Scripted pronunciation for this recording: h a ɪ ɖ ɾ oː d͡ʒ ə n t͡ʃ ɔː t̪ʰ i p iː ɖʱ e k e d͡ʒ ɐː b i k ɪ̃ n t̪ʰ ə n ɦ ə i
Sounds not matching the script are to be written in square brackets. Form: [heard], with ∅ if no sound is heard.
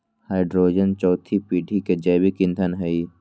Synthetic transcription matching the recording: h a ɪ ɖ ɾ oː d͡ʒ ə n t͡ʃ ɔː t̪ʰ i p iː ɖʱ [i] k e d͡ʒ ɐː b i k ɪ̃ n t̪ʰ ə n ɦ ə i